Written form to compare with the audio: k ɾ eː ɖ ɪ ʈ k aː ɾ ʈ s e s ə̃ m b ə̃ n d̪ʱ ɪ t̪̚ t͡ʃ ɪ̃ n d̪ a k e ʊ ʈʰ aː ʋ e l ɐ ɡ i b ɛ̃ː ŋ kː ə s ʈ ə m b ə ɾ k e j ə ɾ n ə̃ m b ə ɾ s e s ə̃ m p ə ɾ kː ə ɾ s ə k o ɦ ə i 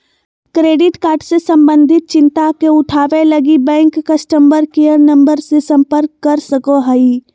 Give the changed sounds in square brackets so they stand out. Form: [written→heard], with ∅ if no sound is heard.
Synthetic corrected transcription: k ɾ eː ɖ ɪ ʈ k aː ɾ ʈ s e s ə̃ m b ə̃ n d̪ʱ ɪ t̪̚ t͡ʃ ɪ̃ n [d̪→t̪] a k e ʊ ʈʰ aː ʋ e l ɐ ɡ i b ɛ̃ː ŋ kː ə s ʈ ə m b ə ɾ k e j ə ɾ n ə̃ m b ə ɾ s e s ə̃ m p ə ɾ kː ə ɾ s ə k o ɦ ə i